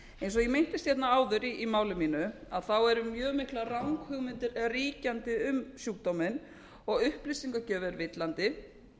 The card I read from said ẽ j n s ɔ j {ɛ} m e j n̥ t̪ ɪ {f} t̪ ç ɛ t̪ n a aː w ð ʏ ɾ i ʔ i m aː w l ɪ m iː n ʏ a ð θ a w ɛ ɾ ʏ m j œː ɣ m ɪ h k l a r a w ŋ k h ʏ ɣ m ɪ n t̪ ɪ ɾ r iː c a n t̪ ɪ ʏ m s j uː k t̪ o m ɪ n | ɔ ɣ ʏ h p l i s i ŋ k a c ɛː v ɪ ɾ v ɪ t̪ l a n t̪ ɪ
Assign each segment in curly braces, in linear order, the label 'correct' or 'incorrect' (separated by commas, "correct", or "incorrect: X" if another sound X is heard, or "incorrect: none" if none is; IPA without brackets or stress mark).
correct, incorrect: s